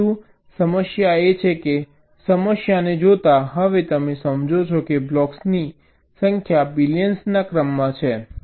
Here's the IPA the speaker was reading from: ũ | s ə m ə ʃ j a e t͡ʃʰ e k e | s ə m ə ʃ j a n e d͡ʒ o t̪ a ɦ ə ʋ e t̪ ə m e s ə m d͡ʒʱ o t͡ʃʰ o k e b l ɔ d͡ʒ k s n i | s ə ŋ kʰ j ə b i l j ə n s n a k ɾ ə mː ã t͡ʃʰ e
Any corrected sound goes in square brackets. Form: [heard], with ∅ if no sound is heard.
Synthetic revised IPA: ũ | s ə m ə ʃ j a e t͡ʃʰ e k e | s ə m ə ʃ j a n e d͡ʒ o t̪ a ɦ ə ʋ e t̪ ə m e s ə m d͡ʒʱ o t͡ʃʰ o k e b l ɔ [∅] k s n i | s ə ŋ kʰ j [a] b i l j ə n s n a k ɾ ə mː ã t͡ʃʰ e